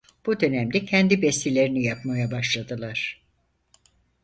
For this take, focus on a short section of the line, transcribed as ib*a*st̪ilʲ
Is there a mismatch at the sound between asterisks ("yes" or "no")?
yes